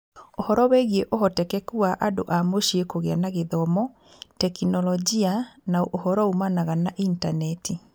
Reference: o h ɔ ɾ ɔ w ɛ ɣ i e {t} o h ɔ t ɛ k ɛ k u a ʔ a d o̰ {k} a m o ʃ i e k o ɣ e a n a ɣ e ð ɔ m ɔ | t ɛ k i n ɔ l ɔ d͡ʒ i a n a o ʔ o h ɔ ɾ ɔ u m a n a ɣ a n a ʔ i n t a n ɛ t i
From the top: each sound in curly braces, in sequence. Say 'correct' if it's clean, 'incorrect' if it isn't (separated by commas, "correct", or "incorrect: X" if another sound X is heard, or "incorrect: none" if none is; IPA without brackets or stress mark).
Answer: incorrect: ʔ, incorrect: ʔ